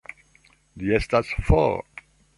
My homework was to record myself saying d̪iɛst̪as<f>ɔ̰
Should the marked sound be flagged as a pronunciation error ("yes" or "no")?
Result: no